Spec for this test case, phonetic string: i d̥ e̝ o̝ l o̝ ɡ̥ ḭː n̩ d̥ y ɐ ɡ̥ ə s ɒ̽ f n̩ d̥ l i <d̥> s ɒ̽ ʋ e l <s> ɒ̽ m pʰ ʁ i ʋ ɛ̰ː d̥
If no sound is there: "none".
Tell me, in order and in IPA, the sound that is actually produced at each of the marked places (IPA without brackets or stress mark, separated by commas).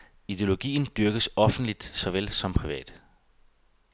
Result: d̥, s